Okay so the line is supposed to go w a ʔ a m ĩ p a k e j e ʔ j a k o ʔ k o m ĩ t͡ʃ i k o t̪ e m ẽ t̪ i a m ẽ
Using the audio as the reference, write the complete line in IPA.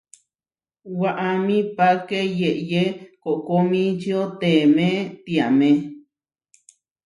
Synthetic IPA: w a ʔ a m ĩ p a k e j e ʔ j e k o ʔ k o m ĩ t͡ʃ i o t̪ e m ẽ t̪ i a m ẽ

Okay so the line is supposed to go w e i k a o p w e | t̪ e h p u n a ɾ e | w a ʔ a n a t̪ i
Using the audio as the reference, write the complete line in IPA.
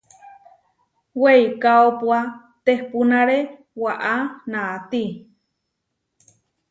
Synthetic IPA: w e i k a o p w a | t̪ e h p u n a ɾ e | w a ʔ a n a t̪ i

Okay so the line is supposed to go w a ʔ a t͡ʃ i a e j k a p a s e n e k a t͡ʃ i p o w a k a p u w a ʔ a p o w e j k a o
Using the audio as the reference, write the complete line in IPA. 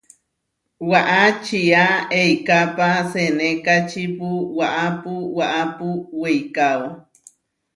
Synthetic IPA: w a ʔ a t͡ʃ i a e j k a p a s e n e k a t͡ʃ i p u w a ʔ a p u w a ʔ a p u w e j k a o

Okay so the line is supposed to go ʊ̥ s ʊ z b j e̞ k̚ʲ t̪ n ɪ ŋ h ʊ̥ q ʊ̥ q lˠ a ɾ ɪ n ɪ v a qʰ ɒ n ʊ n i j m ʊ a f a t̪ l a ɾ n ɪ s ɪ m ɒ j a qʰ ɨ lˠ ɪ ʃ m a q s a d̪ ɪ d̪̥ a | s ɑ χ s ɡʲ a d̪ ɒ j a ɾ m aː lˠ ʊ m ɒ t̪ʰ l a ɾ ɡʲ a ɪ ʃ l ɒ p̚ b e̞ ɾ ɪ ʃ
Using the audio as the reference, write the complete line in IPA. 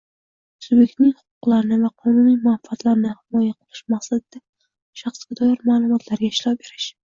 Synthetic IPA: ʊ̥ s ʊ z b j e̞ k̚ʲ t̪ n ɪ ŋ h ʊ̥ q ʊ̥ q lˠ a ɾ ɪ n ɪ v a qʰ ɒ n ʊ n i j m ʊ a f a t̪ l a ɾ n ɪ h ɪ m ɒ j a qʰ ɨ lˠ ɪ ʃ m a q s a d̪ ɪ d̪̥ a | ʃ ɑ χ s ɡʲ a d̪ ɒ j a ɾ m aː lˠ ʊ m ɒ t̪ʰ l a ɾ ɡʲ a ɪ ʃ l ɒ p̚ b e̞ ɾ ɪ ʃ

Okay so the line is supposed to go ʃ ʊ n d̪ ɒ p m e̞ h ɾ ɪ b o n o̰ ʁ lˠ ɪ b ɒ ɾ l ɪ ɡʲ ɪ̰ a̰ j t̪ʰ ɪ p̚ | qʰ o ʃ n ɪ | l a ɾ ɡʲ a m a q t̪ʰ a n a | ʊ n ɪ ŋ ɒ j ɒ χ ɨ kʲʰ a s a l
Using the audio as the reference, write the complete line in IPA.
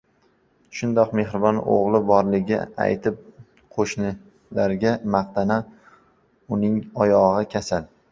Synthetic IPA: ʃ ʊ n d̪ ɒ q m e̞ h ɾ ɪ b ɒ n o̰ ʁ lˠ ɪ b ɒ ɾ l ɪ ɡʲ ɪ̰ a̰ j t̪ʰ ɪ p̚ | qʰ o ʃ n ɪ | l a ɾ ɡʲ a m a q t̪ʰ a n a | ʊ n ɪ ŋ ɒ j ɒ ʁ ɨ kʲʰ a s a l

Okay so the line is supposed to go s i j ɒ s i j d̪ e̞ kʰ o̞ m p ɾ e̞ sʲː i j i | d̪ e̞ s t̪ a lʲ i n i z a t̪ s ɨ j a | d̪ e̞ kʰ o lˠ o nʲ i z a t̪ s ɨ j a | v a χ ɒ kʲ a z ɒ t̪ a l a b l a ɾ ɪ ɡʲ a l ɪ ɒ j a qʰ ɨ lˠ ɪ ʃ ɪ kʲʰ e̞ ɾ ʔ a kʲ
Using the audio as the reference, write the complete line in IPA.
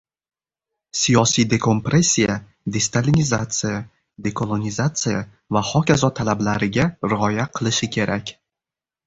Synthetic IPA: s i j ɒ s i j d̪ e̞ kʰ o̞ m p ɾ e̞ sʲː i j a | d̪ e̞ s t̪ a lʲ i n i z a t̪ s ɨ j a | d̪ e̞ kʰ o lˠ o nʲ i z a t̪ s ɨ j a | v a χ ɒ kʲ a z ɒ t̪ʰ a l a b l a ɾ ɪ ɡʲ a ɾ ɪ ɒ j a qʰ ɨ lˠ ɪ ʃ ɪ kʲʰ e̞ ɾ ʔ a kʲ

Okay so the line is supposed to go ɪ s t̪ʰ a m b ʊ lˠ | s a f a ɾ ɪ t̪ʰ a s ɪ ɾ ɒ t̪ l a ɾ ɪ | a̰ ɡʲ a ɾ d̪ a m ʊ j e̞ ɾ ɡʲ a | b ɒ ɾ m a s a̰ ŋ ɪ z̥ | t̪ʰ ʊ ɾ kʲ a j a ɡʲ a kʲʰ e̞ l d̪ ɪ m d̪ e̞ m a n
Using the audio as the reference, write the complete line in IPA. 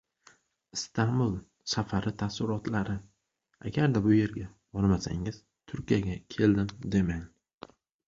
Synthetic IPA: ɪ s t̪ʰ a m b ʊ lˠ | s a f a ɾ ɪ t̪ʰ a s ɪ ɾ ɒ t̪ l a ɾ ɪ | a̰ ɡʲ a ɾ d̪ a b ʊ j e̞ ɾ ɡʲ a | b ɒ ɾ m a s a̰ ŋ ɪ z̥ | t̪ʰ ʊ ɾ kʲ i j a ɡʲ a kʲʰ e̞ l d̪ ɪ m d̪ e̞ m a n

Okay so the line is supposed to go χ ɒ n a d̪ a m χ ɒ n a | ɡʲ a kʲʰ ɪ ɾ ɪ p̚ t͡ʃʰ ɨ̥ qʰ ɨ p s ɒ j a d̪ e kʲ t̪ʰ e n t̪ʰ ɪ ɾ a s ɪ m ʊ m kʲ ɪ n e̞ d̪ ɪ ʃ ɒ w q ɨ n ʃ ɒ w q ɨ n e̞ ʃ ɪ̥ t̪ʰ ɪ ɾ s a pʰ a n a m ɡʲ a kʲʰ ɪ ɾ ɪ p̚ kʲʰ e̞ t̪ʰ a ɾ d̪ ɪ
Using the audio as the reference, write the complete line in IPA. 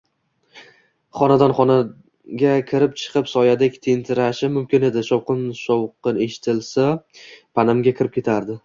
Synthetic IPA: χ ɒ n a d̪ a n χ ɒ n a | ɡʲ a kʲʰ ɪ ɾ ɪ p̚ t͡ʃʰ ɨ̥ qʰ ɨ p s ɒ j a d̪ e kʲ t̪ʰ e n t̪ʰ ɪ ɾ a ʃ ɪ m ʊ m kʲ ɪ n e̞ d̪ ɪ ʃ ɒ w q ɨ n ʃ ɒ w q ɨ n e̞ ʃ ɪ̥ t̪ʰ ɪ l s a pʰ a n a m ɡʲ a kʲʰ ɪ ɾ ɪ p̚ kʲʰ e̞ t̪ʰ a ɾ d̪ ɪ

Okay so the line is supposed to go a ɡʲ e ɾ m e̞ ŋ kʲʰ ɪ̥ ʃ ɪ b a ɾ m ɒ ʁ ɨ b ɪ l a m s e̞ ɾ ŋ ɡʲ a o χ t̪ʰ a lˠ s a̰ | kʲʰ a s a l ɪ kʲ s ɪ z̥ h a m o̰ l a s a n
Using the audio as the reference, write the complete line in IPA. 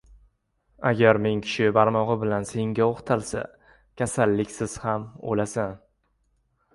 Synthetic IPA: a ɡʲ a ɾ m e̞ ŋ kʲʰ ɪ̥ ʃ ɪ b a ɾ m ɒ ʁ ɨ b ɪ l a n s e̞ ŋ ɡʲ a o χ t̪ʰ a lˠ s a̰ | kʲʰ a s a lː ɪ kʲ s ɪ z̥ h a m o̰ l a s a n

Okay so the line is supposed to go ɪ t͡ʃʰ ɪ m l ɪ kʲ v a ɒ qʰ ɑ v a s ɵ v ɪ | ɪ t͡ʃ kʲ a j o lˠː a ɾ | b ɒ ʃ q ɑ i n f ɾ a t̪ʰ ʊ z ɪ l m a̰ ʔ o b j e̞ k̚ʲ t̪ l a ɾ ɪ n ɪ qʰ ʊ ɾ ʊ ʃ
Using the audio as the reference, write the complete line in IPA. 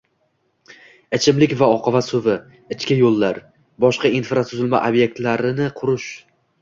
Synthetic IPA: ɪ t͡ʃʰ ɪ m l ɪ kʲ v a ɒ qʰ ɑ v a s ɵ v ɪ | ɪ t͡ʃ kʲ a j o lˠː a ɾ | b ɒ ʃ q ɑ i n f ɾ a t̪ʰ ʊ z ɪ l m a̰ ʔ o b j e̞ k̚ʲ t̪ l a ɾ ɪ n ɪ qʰ ʊ ɾ ʊ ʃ

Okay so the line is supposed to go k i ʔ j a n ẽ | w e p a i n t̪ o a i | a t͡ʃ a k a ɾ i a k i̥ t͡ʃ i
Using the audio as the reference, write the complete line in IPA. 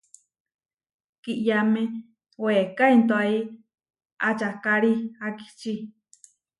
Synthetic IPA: k i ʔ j a m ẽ | w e k a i n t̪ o a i | a t͡ʃ a k a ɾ i a k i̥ t͡ʃ i

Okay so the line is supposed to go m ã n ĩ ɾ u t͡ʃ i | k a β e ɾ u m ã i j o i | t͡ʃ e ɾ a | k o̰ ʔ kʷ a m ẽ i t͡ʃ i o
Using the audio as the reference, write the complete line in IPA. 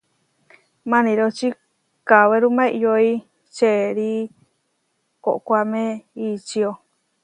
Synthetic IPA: m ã n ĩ ɾ o t͡ʃ i | k a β e ɾ u m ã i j o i | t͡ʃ e ɾ i | k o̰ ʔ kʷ a m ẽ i t͡ʃ i o

